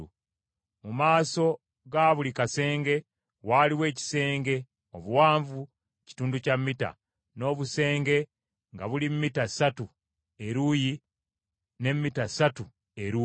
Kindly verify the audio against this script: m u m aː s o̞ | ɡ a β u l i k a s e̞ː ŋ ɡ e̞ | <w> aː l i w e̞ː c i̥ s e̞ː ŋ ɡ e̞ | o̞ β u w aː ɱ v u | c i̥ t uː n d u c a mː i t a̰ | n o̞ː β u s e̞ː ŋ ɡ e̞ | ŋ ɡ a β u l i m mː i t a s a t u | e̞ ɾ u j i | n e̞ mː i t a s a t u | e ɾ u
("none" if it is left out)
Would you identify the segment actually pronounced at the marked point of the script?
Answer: w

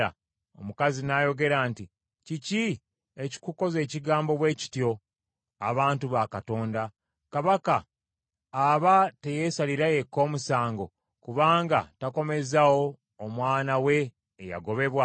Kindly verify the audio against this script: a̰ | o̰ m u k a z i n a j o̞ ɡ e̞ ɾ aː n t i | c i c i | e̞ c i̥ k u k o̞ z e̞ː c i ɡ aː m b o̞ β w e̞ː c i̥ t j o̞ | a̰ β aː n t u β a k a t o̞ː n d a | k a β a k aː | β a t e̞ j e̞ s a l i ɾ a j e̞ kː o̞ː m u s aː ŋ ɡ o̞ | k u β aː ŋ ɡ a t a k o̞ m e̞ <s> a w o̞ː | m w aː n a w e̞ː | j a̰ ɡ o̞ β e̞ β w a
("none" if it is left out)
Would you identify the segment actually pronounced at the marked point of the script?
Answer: z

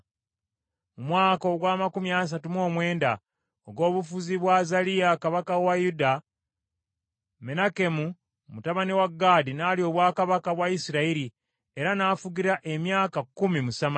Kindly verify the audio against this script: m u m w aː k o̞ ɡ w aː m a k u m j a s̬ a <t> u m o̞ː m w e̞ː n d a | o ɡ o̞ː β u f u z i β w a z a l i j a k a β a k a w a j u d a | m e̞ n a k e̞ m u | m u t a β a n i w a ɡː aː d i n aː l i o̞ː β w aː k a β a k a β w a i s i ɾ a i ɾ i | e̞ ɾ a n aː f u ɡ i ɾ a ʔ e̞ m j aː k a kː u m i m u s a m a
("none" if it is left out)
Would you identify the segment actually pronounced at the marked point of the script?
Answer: t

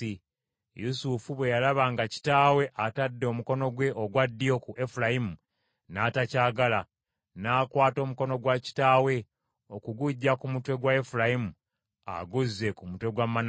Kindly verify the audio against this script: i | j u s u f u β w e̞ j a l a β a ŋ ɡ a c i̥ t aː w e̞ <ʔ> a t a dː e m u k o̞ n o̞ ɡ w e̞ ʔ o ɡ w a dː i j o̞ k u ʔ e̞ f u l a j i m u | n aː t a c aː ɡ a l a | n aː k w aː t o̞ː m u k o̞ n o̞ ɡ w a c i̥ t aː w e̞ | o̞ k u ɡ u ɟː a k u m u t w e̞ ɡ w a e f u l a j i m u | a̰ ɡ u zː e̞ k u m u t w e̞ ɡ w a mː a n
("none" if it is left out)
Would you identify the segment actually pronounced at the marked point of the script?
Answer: ʔ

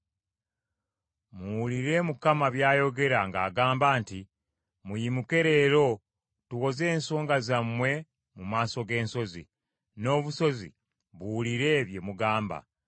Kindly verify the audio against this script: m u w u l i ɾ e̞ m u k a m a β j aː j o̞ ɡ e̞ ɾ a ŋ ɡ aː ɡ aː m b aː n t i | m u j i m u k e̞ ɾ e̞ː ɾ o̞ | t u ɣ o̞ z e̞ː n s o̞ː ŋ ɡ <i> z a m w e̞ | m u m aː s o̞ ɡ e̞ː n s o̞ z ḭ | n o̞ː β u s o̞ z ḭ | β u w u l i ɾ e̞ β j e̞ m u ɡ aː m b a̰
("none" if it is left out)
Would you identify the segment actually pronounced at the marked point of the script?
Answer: a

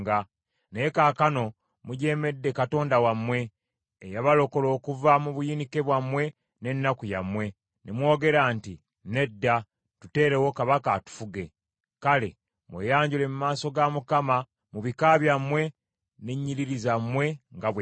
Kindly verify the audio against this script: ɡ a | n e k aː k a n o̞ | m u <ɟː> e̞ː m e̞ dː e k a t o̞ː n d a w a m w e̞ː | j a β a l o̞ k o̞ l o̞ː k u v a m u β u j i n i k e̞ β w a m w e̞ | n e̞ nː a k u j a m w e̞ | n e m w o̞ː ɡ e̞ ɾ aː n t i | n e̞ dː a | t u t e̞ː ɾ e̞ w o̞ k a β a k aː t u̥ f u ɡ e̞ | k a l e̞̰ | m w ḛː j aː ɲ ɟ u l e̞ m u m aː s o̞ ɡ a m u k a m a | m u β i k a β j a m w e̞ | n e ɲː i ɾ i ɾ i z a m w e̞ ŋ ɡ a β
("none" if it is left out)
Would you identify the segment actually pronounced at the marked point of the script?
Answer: ɟ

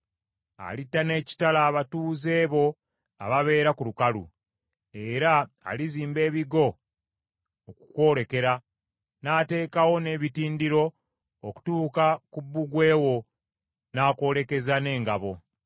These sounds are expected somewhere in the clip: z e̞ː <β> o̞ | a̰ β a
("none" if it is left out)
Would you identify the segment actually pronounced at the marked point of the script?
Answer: β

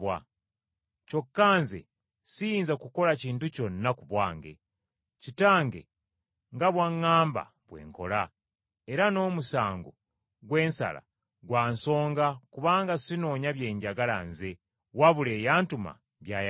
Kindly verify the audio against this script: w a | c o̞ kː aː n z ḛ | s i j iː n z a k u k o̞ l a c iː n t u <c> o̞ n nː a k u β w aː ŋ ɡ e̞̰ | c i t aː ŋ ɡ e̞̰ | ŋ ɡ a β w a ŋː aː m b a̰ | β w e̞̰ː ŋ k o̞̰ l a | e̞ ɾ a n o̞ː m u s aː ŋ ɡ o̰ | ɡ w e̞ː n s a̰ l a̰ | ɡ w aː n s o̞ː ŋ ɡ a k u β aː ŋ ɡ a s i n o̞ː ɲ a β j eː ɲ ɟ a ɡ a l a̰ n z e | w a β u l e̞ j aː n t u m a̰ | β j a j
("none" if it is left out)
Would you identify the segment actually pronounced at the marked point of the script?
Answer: c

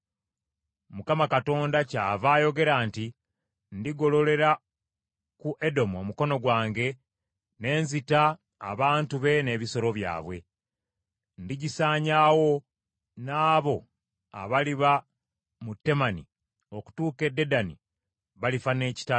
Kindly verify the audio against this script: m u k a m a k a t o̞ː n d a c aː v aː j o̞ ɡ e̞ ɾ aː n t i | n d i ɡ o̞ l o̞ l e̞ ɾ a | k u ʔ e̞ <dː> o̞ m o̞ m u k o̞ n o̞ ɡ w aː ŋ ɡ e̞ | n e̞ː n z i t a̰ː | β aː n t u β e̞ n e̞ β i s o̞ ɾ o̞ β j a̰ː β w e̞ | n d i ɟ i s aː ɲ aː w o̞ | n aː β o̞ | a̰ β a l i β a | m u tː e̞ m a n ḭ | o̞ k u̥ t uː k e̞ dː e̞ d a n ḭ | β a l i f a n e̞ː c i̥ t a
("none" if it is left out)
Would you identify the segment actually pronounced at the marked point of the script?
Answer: d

